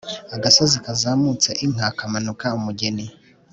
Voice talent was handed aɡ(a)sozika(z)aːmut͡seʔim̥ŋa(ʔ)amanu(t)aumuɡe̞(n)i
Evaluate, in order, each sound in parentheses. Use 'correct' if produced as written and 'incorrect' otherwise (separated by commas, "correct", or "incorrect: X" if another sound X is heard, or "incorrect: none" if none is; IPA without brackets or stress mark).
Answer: correct, correct, incorrect: k, incorrect: k, correct